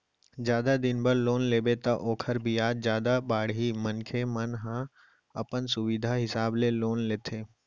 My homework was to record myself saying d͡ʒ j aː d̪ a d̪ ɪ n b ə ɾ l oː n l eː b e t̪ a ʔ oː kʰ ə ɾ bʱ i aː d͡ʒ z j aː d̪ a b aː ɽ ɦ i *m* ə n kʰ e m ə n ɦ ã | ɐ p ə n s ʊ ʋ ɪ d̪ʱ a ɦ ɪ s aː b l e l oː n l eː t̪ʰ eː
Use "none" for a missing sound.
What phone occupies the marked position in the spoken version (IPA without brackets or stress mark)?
m